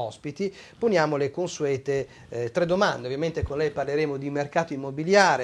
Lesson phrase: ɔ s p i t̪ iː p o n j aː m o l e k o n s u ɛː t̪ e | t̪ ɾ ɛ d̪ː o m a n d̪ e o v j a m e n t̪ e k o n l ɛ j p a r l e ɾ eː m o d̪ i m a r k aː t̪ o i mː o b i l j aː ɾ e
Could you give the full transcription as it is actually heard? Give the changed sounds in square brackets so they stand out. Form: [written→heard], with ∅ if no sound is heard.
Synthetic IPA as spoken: ɔ s p i t̪ [iː→i] p o n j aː m o l e k o n s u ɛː t̪ e | t̪ ɾ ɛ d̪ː o m a n d̪ e o v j a m e n t̪ e k o n l ɛ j p a r l e ɾ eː m o d̪ i m [a→e] r k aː t̪ o i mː o b i l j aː ɾ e